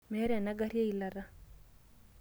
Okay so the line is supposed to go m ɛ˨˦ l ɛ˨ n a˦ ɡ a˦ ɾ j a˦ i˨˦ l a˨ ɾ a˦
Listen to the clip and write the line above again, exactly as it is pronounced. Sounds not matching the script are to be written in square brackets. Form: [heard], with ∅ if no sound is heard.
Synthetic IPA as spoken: m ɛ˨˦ [ɾ] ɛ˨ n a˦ ɡ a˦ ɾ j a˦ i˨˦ l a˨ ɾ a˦